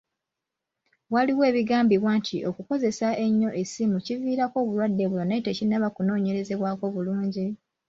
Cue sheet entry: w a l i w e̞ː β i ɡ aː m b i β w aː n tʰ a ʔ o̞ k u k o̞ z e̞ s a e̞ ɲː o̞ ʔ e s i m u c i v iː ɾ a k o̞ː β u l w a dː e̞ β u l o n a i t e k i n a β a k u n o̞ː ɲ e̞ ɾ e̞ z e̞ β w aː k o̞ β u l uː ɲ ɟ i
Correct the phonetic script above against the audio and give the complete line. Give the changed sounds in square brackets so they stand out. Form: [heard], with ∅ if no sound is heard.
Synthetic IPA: w a l i w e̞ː β i ɡ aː m b i β w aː n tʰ [i] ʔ o̞ k u k o̞ z e̞ s a e̞ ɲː o̞ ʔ e s i m u c i v iː ɾ a k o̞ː β u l w a dː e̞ β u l o n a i t e [c] i n a β a k u n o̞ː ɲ e̞ ɾ e̞ z e̞ β w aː k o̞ β u l uː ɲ ɟ i